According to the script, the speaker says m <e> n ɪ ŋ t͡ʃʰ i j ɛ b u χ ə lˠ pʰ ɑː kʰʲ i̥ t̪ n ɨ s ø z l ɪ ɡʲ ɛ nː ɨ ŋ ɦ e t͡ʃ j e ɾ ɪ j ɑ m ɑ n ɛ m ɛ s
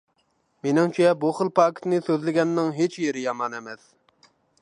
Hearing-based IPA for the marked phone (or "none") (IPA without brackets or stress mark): e